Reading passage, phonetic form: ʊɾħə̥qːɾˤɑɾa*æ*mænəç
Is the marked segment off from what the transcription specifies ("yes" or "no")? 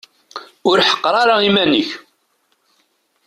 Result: yes